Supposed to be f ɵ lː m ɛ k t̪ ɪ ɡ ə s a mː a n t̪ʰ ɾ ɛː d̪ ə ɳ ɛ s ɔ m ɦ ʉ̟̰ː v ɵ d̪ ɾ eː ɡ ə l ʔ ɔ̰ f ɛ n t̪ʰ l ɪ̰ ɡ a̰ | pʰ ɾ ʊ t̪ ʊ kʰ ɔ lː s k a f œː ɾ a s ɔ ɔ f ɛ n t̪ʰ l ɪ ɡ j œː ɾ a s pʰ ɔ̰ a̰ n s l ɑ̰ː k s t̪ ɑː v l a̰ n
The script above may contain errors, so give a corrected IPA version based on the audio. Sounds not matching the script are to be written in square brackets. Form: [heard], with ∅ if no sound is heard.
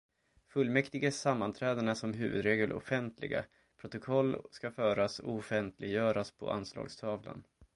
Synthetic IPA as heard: f ɵ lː m ɛ k t̪ ɪ ɡ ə s a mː a n t̪ʰ ɾ ɛː d̪ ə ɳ [a] s ɔ m ɦ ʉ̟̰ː v ɵ d̪ ɾ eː ɡ ə l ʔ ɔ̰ f ɛ n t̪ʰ l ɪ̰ ɡ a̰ | pʰ ɾ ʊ t̪ ʊ kʰ ɔ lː s k a f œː ɾ a s ɔ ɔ f ɛ n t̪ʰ l ɪ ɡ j œː ɾ a s pʰ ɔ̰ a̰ n s l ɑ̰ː [ɡ] s [t̪ʰ] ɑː v l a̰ n